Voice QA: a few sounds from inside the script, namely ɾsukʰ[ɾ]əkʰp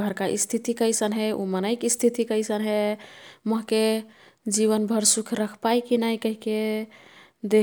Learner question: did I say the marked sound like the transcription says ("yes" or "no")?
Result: yes